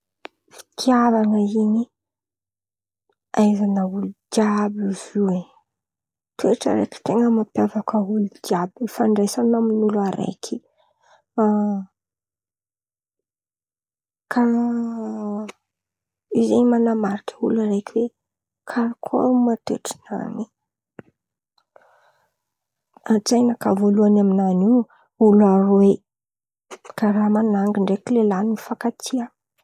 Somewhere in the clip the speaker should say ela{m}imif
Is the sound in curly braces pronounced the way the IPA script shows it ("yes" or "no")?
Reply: no